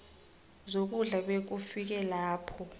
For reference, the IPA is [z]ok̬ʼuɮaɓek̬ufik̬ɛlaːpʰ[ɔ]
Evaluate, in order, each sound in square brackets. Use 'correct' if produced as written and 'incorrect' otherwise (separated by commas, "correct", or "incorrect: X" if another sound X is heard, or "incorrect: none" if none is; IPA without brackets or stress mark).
correct, correct